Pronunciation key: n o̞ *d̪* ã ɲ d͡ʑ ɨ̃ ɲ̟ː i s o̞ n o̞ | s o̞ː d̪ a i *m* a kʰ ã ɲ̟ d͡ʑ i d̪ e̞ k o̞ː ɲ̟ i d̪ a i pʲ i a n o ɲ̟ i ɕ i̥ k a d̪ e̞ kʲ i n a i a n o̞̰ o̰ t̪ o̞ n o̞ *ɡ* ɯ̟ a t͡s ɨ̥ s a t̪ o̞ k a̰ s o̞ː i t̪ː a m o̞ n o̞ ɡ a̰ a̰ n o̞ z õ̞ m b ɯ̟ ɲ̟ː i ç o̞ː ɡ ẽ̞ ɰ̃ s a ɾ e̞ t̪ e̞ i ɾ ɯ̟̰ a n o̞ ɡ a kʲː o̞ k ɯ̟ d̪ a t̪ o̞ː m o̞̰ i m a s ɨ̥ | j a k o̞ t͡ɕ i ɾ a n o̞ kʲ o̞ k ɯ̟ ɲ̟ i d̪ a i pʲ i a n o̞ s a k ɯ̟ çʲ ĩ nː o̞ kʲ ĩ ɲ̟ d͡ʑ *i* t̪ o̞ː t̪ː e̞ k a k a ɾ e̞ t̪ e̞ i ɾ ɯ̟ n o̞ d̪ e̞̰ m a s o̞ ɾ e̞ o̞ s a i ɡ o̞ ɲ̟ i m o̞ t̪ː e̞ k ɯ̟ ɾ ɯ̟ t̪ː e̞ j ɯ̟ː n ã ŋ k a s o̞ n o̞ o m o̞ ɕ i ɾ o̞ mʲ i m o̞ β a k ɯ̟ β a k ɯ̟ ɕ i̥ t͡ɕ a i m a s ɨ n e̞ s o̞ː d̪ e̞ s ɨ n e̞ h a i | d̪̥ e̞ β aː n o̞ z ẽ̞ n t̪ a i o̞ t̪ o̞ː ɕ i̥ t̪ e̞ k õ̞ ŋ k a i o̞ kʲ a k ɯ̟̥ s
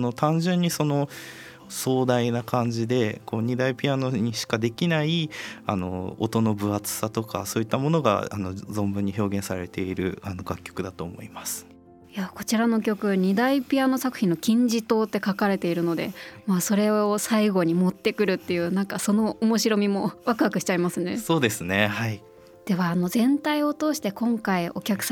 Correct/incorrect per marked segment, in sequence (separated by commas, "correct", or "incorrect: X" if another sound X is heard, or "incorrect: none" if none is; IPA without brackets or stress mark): incorrect: t̪, incorrect: n, incorrect: b, correct